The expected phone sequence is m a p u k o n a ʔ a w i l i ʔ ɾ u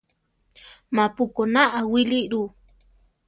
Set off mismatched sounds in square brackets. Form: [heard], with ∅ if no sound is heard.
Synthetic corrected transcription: m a p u k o n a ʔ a w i l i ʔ ɾ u